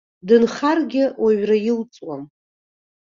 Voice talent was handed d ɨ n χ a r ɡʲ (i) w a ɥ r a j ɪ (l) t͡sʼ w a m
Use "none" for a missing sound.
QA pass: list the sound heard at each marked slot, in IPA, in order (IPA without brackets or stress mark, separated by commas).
ɪ, l